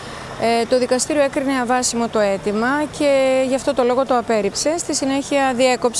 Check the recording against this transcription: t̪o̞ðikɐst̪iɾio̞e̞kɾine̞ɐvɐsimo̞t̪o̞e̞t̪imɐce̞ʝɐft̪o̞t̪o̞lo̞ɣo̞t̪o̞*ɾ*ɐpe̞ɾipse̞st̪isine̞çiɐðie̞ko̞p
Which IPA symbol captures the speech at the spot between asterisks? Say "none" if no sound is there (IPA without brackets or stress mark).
none